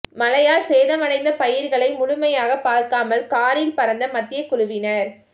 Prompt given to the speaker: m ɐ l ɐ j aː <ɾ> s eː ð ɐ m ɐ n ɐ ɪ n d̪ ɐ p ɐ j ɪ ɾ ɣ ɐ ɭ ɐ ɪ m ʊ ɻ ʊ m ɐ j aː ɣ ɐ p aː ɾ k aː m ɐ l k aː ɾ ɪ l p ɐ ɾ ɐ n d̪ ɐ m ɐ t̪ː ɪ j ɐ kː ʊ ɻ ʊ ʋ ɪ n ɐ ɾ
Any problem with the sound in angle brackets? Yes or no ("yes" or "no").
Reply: yes